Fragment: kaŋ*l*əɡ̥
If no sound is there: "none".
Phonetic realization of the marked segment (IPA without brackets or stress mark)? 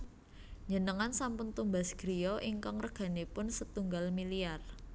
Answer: r